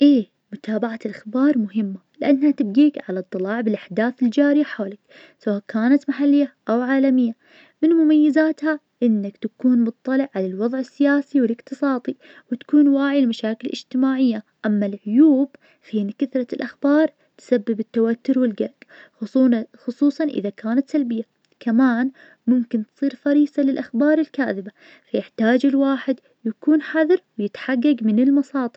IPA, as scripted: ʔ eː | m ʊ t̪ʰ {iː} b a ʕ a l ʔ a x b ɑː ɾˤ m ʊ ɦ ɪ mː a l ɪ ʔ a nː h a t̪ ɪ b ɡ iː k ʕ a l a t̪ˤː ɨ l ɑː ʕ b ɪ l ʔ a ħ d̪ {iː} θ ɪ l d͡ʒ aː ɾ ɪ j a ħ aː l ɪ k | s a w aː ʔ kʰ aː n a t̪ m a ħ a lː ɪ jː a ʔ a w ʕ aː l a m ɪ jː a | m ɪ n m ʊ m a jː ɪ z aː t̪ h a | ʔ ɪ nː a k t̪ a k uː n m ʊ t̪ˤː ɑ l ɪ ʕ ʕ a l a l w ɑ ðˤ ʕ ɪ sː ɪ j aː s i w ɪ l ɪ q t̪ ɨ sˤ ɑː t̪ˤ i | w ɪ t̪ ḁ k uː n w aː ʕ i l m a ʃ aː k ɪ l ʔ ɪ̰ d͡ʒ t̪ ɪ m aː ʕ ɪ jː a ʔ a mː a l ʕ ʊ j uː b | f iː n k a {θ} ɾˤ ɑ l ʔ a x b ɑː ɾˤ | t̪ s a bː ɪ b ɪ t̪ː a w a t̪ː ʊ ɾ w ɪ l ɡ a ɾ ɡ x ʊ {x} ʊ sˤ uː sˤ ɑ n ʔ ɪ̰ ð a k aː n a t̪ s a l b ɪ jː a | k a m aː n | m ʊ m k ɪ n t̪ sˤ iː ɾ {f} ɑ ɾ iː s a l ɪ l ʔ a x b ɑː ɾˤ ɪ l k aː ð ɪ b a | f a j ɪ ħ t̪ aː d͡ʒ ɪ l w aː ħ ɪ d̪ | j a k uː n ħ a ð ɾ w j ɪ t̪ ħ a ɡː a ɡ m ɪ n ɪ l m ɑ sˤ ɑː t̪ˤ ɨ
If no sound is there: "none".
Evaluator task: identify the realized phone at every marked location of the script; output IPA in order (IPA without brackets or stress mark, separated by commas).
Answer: aː, aː, θ, x, f